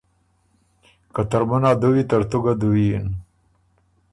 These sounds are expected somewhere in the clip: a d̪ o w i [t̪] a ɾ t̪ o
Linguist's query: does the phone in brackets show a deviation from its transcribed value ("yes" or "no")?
no